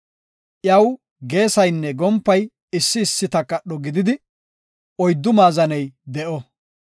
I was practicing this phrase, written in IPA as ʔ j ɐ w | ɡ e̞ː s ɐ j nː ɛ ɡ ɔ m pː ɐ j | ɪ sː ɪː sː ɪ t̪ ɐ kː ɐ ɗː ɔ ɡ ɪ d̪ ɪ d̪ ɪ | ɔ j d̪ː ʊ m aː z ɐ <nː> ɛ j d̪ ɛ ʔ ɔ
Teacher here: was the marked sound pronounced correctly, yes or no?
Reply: no